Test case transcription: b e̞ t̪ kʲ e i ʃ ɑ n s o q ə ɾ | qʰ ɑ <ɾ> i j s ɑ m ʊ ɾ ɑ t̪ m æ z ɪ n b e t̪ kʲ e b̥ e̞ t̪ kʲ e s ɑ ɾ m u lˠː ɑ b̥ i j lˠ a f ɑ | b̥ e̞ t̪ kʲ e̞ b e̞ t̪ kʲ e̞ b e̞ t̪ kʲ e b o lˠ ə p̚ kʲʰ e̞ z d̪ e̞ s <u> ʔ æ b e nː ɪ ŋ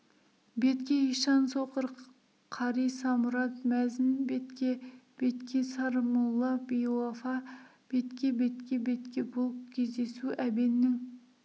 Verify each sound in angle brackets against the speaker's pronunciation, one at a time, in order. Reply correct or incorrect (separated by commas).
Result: correct, correct